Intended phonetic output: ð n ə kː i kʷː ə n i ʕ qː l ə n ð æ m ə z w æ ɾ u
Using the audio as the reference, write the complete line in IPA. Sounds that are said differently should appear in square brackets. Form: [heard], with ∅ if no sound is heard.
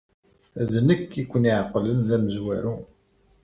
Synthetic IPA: ð n ə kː i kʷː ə n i ʕ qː l ə n ð æ m ə z w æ ɾ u